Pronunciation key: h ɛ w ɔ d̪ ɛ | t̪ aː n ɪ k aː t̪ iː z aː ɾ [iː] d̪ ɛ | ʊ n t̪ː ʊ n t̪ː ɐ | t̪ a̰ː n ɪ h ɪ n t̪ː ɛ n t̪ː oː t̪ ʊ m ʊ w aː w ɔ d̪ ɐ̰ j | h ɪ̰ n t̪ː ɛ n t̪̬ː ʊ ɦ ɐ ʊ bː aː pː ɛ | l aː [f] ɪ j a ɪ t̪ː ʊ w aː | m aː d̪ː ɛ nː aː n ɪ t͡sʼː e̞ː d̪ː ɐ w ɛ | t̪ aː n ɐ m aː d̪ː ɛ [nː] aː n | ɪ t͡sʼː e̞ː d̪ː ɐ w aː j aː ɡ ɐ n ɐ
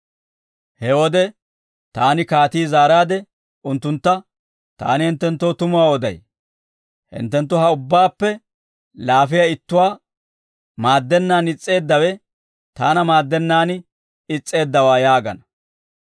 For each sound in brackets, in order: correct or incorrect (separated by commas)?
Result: incorrect, correct, correct